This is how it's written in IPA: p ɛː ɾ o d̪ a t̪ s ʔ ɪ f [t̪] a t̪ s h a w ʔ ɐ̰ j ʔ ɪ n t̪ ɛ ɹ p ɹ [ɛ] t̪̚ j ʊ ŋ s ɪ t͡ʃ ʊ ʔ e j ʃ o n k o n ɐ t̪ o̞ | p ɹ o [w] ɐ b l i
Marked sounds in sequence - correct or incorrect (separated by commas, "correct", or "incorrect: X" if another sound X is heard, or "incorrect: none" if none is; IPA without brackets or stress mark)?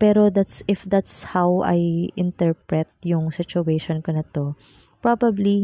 incorrect: d̪, correct, incorrect: b